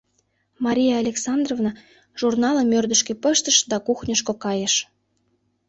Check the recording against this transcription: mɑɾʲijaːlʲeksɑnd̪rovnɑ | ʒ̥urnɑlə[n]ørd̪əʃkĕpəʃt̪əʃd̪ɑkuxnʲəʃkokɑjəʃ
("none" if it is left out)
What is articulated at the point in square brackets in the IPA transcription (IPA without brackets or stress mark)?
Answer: m